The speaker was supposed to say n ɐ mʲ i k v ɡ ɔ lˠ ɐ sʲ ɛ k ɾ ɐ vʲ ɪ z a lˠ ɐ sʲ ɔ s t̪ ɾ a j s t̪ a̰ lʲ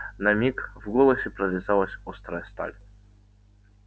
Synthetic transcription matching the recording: n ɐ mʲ i k v ɡ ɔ lˠ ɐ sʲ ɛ p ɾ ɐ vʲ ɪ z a lˠ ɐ sʲ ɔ s t̪ ɾ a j s t̪ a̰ lʲ